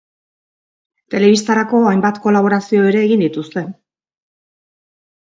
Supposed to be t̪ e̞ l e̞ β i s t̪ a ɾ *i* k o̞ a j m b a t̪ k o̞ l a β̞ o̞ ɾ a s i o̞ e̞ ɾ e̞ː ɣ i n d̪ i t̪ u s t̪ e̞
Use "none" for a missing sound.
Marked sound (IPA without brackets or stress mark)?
a